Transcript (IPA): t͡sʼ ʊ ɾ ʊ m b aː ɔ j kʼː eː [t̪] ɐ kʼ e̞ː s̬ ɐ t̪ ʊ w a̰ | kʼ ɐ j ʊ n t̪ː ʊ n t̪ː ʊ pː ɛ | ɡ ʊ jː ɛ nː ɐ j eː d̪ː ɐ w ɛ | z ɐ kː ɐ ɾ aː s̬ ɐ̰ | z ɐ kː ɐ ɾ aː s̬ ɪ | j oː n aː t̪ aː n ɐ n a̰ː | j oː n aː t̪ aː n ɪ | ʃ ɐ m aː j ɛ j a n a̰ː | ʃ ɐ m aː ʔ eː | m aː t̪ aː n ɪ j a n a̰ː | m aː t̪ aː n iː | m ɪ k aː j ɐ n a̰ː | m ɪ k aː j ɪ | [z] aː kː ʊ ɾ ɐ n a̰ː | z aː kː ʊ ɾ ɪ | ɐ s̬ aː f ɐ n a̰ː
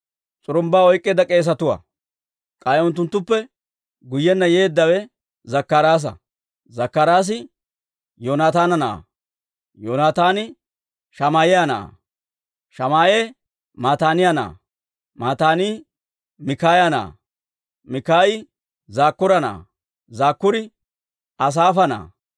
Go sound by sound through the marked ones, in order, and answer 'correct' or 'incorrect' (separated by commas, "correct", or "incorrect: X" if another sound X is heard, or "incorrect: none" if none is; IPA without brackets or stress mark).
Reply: incorrect: d̪, correct